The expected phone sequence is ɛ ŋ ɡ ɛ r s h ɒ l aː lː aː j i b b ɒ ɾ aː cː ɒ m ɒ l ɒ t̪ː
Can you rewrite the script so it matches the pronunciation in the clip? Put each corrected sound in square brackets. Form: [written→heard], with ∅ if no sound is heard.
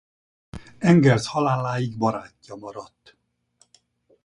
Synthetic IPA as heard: ɛ ŋ ɡ ɛ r s h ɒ l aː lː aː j i [b→ɡ] b ɒ ɾ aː cː ɒ m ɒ [l→ɾ] ɒ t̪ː

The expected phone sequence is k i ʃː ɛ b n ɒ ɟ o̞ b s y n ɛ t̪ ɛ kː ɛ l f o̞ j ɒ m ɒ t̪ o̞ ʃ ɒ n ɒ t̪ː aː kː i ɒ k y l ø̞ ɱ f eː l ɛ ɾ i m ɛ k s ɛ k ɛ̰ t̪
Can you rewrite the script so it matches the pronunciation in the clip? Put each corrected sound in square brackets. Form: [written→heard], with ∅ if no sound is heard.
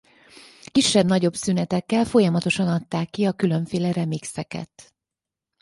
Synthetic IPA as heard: k i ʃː ɛ b n ɒ ɟ o̞ b s y n ɛ t̪ ɛ kː ɛ l f o̞ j ɒ m ɒ t̪ o̞ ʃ ɒ n ɒ t̪ː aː kː i ɒ k y l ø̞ ɱ f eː l ɛ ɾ [i→ɛ] m [ɛ→i] k s ɛ k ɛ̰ t̪

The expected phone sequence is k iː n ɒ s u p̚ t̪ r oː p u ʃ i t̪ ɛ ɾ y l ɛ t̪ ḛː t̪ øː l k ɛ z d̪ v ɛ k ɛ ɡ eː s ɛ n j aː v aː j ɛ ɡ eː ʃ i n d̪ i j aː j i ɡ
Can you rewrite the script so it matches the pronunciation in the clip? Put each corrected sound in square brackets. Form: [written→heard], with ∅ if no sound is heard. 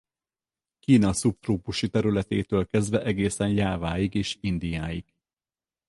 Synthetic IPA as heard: k iː n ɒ s u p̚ t̪ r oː p u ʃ i t̪ ɛ ɾ y l ɛ t̪ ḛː t̪ øː l k ɛ z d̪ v ɛ [k→ʔ] ɛ ɡ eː s ɛ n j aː v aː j [ɛ→i] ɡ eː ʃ i n d̪ i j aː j i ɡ

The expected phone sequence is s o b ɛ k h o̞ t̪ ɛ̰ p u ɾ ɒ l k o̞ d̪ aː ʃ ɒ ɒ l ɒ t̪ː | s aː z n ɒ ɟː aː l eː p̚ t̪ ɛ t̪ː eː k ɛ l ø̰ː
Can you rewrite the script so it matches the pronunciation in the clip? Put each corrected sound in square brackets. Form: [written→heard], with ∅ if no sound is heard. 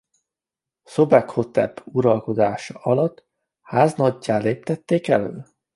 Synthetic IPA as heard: s o b ɛ k h o̞ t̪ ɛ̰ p u ɾ ɒ l k o̞ d̪ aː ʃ ɒ ɒ l ɒ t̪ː | [s→h] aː z n ɒ ɟː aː l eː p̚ t̪ ɛ t̪ː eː k ɛ l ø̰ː

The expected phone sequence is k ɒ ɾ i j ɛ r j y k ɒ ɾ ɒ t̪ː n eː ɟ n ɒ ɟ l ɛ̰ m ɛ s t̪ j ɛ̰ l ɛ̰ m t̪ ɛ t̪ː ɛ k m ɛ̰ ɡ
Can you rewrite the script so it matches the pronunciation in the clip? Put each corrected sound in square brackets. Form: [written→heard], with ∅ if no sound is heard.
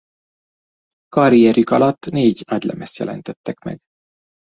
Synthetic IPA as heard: k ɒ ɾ i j ɛ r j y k ɒ [ɾ→l] ɒ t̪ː n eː ɟ n ɒ ɟ l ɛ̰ m ɛ s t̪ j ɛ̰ l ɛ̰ [m→n] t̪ ɛ t̪ː ɛ k m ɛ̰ ɡ

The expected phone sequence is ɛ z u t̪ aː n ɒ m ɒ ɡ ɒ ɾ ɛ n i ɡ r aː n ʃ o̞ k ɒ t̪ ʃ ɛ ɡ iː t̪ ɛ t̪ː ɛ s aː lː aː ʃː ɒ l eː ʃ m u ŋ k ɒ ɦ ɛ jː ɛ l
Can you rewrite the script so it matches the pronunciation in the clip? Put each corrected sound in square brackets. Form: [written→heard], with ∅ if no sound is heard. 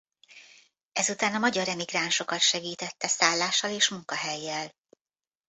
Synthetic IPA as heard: ɛ z u t̪ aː n ɒ m ɒ [ɡ→ɟ] ɒ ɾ ɛ [n→m] i ɡ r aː n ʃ o̞ k ɒ t̪ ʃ ɛ ɡ iː t̪ ɛ t̪ː ɛ s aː lː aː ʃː ɒ l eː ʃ m u ŋ k ɒ ɦ ɛ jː ɛ l

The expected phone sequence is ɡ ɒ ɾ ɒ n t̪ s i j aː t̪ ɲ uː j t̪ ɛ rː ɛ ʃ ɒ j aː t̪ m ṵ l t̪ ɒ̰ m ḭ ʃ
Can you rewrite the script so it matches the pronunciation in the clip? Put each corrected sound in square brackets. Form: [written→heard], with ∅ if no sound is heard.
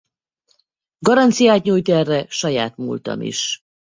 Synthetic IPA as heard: ɡ ɒ ɾ ɒ n t̪ s i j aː t̪ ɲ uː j t̪ ɛ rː ɛ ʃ ɒ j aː t̪ m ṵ l t̪ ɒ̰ m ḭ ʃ

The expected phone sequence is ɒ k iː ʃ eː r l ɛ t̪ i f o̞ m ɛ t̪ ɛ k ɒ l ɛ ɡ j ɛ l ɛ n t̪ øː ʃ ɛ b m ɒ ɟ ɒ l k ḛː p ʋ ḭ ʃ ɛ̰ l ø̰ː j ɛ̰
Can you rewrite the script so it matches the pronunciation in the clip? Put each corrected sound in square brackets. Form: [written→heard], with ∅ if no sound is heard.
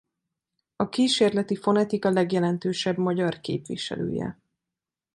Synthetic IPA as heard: ɒ k iː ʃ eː r l ɛ t̪ i f o̞ [m→n] ɛ t̪ [ɛ→i] k ɒ l ɛ ɡ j ɛ l ɛ n t̪ øː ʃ ɛ b m ɒ ɟ ɒ [l→r] k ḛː p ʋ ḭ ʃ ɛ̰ l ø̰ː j ɛ̰

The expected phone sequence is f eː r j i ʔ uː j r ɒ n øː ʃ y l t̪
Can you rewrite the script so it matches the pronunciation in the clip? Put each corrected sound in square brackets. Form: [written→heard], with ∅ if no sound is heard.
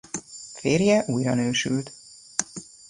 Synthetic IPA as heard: f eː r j [i→ɛ] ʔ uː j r ɒ n øː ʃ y l t̪

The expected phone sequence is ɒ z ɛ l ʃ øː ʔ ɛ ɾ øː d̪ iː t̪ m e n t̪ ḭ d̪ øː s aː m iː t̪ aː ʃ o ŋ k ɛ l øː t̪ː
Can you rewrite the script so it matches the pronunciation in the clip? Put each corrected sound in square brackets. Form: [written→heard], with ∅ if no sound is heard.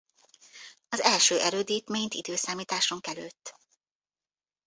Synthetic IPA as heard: ɒ z ɛ l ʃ øː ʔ ɛ ɾ øː d̪ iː t̪ m e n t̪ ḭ d̪ øː s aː m iː t̪ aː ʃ o ŋ k ɛ l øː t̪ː

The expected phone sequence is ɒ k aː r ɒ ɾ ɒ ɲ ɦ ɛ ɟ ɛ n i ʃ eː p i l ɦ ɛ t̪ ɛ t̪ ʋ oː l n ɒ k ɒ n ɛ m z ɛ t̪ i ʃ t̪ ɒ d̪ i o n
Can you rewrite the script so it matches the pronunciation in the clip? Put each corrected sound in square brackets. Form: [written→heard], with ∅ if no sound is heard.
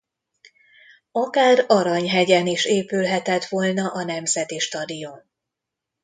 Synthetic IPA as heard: ɒ k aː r ɒ ɾ ɒ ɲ ɦ ɛ ɟ ɛ n i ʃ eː p [i→y] l ɦ ɛ t̪ ɛ t̪ ʋ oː l n ɒ [k→ʔ] ɒ n ɛ m z ɛ t̪ i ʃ t̪ ɒ d̪ i o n

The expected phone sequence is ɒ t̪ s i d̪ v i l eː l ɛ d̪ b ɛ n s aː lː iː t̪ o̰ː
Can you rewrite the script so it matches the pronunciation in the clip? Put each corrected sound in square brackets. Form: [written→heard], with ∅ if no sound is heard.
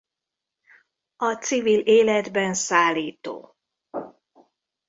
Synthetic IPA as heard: ɒ t̪ s i [d̪→∅] v i l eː l ɛ d̪ b ɛ n s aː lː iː t̪ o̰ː

